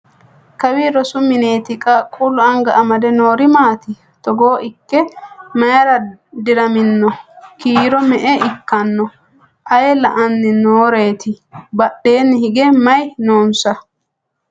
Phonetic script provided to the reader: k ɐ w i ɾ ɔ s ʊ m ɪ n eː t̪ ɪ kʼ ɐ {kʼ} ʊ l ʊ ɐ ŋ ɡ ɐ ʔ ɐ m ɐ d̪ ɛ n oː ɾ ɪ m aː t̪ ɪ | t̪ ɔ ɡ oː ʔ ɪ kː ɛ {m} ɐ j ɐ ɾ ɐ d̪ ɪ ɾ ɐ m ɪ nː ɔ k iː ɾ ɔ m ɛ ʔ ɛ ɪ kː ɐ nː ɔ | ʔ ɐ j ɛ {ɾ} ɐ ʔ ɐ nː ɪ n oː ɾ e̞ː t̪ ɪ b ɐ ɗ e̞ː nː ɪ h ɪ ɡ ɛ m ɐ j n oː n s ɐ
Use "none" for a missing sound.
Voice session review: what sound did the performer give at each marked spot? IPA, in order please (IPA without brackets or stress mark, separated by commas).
kʼ, m, l